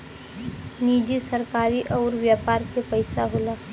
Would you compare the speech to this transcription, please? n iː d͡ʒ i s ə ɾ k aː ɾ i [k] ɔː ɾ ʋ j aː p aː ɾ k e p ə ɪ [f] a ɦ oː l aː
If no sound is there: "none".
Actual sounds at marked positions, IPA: ʔ, s

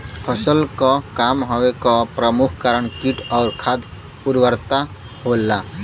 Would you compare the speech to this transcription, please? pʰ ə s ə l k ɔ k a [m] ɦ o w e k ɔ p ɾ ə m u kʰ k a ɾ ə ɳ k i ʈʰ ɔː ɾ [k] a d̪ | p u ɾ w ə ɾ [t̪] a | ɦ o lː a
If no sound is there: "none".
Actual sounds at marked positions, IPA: m, kʰ, t̪

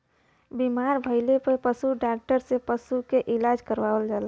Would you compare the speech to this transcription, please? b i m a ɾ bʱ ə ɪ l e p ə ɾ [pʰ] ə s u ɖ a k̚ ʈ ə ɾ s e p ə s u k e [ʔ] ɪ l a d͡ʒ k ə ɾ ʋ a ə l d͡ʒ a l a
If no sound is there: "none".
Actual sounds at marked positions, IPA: p, ʔ

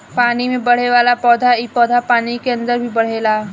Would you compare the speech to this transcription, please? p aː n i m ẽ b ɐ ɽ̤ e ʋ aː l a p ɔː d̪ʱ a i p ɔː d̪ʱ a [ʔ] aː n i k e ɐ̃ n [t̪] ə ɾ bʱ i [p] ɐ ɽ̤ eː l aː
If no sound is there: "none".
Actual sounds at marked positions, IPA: p, d̪, b

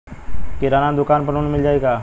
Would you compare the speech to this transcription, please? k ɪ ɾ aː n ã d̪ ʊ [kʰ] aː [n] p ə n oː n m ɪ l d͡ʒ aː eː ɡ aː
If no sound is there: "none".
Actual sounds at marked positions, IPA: k, n

